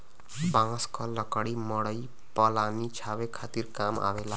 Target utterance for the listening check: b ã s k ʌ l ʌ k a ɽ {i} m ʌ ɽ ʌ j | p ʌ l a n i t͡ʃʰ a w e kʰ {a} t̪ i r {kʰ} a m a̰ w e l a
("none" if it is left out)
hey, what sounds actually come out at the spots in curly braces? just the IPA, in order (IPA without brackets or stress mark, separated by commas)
i, a, k